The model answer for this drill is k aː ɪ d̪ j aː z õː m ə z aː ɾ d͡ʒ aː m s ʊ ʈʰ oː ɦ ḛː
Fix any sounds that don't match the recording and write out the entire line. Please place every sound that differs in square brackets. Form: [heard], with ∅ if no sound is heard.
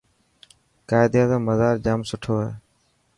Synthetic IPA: k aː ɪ d̪ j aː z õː m ə z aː ɾ d͡ʒ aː m s ʊ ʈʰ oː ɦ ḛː